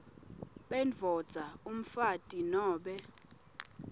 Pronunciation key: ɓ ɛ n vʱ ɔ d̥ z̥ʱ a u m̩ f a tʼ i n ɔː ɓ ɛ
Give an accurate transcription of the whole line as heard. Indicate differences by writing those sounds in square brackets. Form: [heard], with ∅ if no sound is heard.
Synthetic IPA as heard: ɓ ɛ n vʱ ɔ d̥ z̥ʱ a u m̩ f a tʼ i n ɔː ɓ ɛ